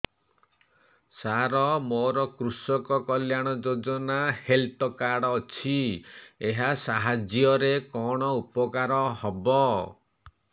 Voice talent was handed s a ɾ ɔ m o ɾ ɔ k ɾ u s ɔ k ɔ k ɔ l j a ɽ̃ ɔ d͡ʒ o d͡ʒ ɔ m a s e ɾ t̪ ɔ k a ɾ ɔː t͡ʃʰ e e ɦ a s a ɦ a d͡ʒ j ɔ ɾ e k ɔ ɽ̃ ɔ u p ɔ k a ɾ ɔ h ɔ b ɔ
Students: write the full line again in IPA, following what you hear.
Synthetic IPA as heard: s a ɾ ɔ m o ɾ ɔ k ɾ u s ɔ k ɔ k ɔ l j a ɽ̃ ɔ d͡ʒ o d͡ʒ ɔ n a h e l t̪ ɔ k a ɽ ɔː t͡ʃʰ i e ɦ a s a ɦ a d͡ʒ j ɔ ɾ e k ɔ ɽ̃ ɔ u p ɔ k a ɾ ɔ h ɔ b ɔ